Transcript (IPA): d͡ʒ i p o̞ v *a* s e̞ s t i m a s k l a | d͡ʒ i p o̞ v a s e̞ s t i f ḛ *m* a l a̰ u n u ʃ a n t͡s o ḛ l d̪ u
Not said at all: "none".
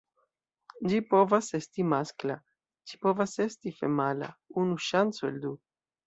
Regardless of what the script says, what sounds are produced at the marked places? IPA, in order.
a, m

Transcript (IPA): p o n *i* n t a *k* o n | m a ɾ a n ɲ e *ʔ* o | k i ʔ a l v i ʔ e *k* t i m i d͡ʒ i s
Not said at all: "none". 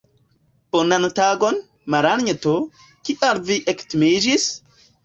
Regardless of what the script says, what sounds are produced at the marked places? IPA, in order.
a, ɡ, t, k

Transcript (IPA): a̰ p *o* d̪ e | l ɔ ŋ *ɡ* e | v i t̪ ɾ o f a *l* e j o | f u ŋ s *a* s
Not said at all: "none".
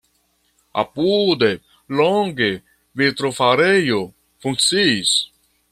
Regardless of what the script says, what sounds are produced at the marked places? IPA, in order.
u, ɡ, ɾ, i

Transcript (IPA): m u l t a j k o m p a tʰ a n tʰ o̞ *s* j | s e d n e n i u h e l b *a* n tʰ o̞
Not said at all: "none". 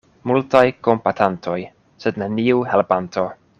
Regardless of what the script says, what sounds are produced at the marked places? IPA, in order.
none, a

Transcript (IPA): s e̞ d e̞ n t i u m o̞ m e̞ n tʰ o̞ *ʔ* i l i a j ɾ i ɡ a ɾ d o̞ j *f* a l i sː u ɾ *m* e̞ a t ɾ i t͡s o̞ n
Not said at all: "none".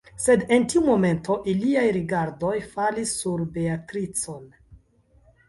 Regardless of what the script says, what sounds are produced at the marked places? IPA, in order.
ʔ, f, b

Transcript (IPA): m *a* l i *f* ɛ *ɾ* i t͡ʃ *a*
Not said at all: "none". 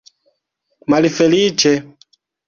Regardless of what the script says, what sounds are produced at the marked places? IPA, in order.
a, f, l, ɛ

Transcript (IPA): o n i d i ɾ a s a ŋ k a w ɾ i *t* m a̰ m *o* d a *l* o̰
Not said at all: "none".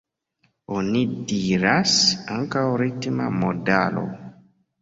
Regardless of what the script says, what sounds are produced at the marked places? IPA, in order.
t, o, l

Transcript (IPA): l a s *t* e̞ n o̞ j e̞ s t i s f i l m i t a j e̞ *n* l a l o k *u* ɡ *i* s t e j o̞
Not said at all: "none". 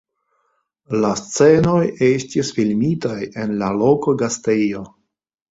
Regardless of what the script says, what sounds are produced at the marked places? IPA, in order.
t͡s, n, o, a

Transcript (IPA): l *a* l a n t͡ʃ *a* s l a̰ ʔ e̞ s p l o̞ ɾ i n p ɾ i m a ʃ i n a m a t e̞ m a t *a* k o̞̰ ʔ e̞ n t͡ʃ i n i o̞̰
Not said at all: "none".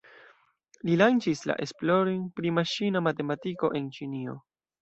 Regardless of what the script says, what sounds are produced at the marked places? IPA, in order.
i, i, i

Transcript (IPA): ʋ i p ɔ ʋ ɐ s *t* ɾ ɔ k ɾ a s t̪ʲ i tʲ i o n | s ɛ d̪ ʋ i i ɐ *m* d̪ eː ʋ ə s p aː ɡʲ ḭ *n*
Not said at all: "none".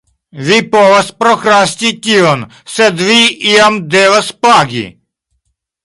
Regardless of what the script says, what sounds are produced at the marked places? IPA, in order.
p, m, none

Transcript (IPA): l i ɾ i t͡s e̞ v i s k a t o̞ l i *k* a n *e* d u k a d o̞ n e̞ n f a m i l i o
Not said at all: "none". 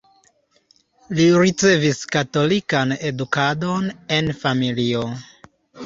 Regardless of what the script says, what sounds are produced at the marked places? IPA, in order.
k, e

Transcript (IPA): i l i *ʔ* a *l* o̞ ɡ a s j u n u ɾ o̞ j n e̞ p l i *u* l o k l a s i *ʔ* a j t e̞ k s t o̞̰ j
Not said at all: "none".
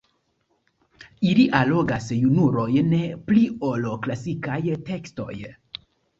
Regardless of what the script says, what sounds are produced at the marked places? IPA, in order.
ʔ, l, o, k

